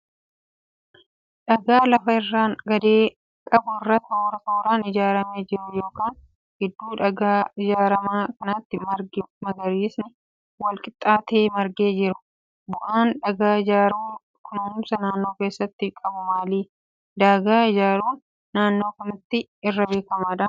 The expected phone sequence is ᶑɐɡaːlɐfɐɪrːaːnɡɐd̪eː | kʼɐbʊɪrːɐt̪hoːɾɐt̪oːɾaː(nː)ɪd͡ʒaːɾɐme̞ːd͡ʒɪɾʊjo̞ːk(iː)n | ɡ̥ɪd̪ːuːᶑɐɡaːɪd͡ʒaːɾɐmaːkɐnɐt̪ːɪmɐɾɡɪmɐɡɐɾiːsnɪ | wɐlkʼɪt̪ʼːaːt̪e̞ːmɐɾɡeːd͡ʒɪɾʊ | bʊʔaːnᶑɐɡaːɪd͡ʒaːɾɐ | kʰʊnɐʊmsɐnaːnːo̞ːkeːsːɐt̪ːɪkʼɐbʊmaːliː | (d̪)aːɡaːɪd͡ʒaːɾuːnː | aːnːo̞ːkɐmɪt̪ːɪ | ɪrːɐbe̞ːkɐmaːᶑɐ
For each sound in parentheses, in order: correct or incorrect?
incorrect, incorrect, correct

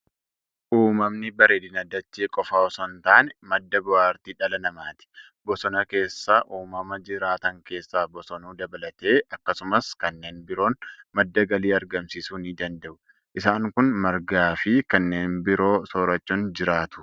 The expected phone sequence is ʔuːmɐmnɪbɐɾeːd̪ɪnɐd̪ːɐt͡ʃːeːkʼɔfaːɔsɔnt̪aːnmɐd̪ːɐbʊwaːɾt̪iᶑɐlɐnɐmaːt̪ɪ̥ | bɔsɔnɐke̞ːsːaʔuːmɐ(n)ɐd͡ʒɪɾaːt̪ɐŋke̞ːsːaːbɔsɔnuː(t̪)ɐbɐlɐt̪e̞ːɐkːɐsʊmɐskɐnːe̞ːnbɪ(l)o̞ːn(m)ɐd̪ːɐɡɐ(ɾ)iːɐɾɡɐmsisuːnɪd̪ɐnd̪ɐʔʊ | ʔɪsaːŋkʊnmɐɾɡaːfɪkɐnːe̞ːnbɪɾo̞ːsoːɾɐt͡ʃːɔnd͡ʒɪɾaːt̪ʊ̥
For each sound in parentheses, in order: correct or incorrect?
incorrect, incorrect, incorrect, correct, incorrect

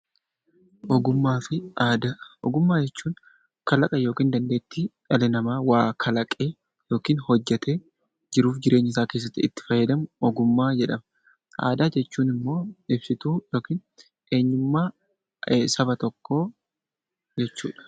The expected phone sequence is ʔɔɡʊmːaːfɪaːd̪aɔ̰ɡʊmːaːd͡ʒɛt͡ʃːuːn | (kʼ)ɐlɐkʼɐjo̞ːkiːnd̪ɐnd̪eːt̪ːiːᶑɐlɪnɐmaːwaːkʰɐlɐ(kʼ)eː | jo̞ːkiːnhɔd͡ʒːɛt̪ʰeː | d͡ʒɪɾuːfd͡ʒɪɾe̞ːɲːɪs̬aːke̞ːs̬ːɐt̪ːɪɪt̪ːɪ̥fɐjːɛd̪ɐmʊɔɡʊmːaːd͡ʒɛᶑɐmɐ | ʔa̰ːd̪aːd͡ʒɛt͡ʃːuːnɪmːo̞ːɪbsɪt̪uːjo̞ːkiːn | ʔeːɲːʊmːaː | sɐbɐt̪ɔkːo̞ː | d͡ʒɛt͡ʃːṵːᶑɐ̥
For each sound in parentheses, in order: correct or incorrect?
incorrect, correct

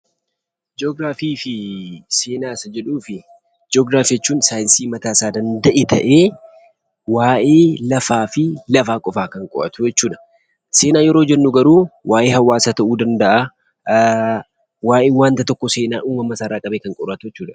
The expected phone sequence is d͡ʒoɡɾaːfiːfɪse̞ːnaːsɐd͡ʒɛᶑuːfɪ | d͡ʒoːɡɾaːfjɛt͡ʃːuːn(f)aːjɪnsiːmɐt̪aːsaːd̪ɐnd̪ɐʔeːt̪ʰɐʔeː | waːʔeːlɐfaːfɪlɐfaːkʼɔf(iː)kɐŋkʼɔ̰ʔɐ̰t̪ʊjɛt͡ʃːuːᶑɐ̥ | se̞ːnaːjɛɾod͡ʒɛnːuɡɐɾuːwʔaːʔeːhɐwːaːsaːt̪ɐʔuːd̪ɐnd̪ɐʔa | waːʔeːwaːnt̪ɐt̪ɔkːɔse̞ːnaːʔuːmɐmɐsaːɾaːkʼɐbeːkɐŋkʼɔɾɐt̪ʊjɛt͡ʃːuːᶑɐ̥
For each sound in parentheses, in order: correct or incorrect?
incorrect, incorrect

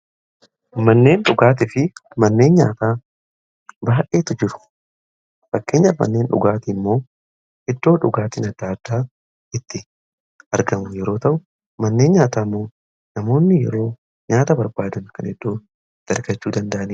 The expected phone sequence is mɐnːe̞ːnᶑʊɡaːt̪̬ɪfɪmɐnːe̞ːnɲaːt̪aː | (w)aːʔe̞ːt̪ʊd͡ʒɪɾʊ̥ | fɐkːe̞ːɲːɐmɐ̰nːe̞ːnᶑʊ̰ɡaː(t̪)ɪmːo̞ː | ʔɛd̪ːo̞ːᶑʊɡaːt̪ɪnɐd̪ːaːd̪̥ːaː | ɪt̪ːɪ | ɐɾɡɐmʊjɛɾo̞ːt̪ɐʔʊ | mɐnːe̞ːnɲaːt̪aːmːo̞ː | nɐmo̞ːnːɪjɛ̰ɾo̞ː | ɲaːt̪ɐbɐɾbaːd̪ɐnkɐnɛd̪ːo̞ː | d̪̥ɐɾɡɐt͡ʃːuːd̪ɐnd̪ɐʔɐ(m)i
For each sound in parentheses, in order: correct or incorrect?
incorrect, correct, incorrect

